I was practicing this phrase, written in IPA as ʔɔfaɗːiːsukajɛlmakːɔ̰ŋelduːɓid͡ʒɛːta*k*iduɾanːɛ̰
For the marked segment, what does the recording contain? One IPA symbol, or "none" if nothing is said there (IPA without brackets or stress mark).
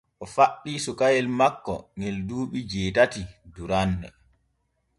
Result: t